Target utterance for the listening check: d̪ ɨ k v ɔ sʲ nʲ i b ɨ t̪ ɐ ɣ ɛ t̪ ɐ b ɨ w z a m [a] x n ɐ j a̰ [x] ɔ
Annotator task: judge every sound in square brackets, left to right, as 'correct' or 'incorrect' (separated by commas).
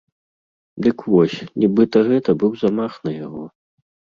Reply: correct, incorrect